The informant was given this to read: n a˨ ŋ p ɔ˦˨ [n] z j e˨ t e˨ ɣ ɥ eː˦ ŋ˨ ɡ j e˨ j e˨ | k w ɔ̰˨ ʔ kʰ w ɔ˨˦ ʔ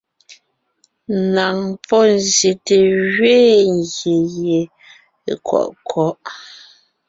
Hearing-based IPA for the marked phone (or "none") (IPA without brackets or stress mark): n